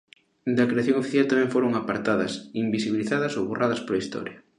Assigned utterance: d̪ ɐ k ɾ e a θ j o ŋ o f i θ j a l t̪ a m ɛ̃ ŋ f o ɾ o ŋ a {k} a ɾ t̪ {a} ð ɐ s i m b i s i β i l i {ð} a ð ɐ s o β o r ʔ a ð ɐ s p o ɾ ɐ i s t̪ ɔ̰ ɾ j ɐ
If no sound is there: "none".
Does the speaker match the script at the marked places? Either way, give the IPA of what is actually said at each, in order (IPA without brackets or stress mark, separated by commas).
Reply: p, a, θ